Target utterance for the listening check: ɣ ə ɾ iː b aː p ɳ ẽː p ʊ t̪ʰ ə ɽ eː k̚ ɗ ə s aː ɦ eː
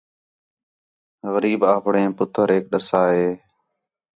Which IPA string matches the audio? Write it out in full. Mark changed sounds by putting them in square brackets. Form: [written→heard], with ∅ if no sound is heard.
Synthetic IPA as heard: ɣ ə ɾ iː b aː p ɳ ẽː p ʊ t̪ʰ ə [ɽ→ɾ] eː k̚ ɗ ə s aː ɦ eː